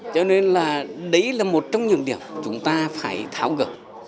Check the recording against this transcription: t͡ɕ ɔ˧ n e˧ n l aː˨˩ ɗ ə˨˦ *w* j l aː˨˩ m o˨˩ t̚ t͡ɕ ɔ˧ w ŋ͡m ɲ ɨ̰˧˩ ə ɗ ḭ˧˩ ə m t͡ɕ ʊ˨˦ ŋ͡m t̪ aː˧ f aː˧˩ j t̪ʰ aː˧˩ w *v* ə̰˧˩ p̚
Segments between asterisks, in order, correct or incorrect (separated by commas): incorrect, incorrect